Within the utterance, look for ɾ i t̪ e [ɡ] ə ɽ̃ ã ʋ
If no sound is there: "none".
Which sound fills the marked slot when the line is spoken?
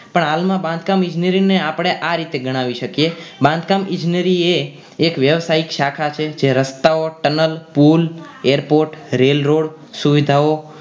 ɡ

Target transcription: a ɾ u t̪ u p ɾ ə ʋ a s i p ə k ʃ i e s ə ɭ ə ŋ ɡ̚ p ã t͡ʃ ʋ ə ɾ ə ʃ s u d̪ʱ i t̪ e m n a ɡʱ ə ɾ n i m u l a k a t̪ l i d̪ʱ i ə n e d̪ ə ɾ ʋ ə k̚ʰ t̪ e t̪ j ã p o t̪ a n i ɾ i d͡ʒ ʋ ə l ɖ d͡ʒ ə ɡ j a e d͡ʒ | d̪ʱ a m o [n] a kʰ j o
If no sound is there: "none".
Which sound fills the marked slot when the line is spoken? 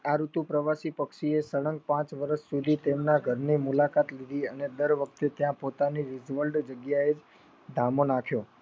n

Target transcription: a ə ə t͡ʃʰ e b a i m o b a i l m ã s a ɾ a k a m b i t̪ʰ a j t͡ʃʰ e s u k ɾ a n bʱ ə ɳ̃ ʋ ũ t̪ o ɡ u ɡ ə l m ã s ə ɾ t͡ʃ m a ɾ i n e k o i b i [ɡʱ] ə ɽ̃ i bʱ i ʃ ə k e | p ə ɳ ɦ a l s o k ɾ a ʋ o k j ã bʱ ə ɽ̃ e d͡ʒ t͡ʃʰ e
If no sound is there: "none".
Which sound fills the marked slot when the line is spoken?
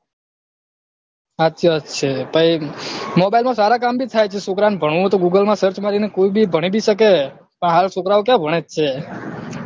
bʱ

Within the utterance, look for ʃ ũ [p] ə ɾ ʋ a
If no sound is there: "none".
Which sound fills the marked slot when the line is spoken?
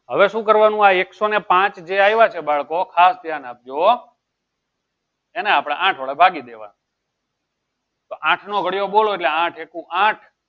k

